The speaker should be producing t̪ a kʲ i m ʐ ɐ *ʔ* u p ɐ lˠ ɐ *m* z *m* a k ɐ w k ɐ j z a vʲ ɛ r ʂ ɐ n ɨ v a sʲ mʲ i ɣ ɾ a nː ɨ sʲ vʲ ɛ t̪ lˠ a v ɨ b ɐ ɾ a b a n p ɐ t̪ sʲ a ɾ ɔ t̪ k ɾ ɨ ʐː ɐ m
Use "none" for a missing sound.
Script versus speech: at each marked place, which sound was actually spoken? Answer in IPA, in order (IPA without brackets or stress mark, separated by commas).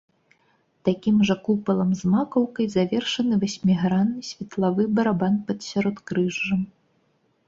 k, m, m